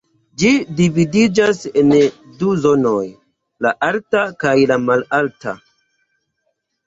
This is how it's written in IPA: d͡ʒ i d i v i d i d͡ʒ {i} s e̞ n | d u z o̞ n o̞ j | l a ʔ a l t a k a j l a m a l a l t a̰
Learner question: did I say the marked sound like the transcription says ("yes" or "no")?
no